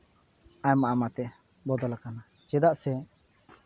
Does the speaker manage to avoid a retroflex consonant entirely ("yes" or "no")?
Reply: yes